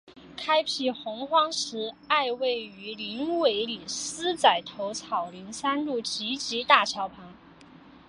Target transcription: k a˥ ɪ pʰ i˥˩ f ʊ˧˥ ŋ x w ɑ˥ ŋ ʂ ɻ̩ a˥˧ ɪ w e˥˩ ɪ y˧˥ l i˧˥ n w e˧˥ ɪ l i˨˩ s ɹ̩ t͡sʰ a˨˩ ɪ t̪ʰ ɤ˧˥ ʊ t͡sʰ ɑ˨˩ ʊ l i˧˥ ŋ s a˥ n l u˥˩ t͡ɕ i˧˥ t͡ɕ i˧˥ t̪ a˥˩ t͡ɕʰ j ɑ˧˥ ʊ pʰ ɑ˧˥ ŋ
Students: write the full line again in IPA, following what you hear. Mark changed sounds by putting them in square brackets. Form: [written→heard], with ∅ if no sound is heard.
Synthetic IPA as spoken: [k→kʰ] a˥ ɪ pʰ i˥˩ [f→x] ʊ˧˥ ŋ x w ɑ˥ ŋ ʂ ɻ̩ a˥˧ ɪ w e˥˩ ɪ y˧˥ l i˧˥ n w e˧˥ ɪ l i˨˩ s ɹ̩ [t͡sʰ→t͡s] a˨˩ ɪ t̪ʰ [ɤ˧˥→o˧˥] ʊ t͡sʰ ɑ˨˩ ʊ l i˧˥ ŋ s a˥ n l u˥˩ t͡ɕ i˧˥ t͡ɕ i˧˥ t̪ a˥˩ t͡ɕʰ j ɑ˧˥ ʊ pʰ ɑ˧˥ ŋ